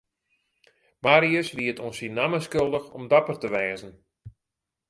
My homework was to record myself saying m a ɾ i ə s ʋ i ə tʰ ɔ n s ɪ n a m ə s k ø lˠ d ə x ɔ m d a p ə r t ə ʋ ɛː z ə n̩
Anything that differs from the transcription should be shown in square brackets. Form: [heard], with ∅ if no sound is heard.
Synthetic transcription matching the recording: m a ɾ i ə s ʋ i ə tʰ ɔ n s [i] n a m ə s k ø lˠ d ə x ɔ m d a p ə r t ə ʋ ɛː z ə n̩